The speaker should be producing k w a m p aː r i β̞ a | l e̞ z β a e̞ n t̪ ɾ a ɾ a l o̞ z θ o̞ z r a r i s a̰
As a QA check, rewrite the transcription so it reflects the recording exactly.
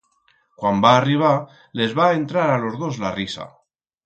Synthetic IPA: k w a m b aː r i β̞ a | l e̞ z β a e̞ n t̪ ɾ a ɾ a l o̞ z ð o̞ z l a r i s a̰